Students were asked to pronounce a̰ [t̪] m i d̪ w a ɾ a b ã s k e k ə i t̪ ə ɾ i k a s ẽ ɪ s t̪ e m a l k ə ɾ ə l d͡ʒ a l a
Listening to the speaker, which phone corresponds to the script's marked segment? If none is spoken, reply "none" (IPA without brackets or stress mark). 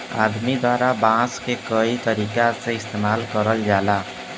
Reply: d̪